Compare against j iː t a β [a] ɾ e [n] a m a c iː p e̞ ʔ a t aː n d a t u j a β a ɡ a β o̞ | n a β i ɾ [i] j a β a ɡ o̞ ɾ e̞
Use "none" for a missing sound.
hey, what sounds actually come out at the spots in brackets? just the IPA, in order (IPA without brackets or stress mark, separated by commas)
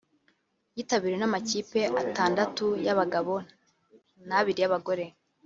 i, n, i